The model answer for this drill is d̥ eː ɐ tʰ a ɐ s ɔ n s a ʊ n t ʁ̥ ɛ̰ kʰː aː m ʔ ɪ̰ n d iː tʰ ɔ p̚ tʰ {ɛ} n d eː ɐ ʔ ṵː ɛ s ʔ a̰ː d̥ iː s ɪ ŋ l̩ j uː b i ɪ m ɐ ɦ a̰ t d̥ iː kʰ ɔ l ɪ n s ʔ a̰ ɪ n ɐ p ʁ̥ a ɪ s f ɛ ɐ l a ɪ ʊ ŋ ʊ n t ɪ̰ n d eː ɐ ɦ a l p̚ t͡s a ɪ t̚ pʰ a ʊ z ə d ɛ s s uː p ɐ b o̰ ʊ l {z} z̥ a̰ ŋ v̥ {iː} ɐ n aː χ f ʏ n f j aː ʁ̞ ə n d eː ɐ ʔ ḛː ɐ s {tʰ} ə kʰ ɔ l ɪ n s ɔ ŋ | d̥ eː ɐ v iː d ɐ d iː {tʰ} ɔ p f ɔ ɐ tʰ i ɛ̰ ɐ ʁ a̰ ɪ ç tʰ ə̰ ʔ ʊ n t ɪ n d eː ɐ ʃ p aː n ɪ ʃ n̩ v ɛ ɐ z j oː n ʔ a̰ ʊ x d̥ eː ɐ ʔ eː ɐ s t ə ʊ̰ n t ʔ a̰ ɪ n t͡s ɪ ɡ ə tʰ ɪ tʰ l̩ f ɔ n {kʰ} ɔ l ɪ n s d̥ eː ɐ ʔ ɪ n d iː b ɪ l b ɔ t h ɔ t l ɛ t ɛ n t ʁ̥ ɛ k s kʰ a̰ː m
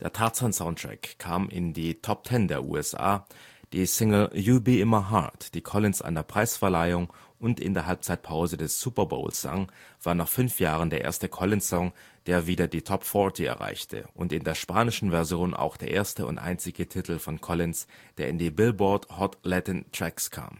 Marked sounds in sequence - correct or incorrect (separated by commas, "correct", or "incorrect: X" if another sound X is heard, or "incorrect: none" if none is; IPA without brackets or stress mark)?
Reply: correct, incorrect: s, incorrect: aː, incorrect: t, correct, correct